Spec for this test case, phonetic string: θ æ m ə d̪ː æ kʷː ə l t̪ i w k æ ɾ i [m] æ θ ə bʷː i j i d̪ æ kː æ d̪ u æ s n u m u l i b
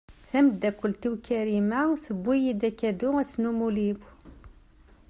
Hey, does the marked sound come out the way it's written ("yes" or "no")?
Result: yes